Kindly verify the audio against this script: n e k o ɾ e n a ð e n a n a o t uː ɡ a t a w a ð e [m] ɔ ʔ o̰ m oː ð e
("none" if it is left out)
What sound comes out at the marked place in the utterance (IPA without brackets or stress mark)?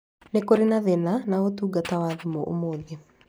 m